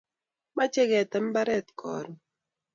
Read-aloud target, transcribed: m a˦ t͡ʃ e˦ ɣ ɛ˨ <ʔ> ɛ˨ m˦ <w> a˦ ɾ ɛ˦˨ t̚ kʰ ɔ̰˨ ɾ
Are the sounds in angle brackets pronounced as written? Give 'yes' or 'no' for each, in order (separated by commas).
no, no